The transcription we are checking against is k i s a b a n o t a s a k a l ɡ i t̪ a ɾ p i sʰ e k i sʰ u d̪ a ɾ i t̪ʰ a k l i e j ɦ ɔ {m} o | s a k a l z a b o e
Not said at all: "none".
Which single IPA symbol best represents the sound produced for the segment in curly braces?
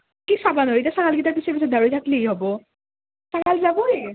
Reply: b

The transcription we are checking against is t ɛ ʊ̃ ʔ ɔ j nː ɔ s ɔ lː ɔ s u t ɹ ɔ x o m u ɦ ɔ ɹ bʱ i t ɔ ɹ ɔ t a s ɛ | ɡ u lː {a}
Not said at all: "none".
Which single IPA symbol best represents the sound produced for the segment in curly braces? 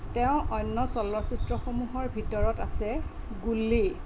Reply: i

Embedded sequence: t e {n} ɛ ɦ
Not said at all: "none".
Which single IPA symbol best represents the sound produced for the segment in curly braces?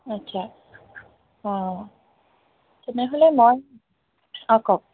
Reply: n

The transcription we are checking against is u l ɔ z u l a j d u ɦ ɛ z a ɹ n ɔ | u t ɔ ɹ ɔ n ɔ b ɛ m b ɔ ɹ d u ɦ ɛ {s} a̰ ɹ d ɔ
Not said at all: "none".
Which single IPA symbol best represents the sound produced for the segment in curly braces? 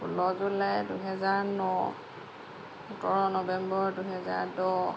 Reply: z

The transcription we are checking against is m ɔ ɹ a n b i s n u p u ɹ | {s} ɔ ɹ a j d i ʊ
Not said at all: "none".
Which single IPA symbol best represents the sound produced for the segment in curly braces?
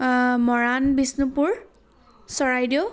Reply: s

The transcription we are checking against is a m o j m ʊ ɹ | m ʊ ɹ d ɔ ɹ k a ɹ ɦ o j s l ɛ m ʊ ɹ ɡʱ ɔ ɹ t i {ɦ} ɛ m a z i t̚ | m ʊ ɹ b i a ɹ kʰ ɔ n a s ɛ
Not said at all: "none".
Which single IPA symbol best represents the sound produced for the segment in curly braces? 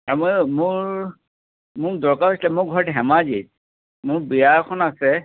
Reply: ɦ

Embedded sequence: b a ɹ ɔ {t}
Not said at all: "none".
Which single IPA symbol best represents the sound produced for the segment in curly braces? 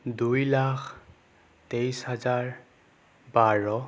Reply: none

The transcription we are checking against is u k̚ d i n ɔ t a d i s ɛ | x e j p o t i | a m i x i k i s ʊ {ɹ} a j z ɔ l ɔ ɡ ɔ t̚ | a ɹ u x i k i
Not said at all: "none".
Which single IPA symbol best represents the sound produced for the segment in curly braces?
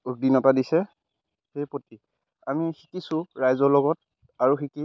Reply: ɹ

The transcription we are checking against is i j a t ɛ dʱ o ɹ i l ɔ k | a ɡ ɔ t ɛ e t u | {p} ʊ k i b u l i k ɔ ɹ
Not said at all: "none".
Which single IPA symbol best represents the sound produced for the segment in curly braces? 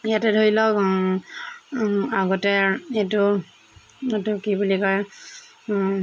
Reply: t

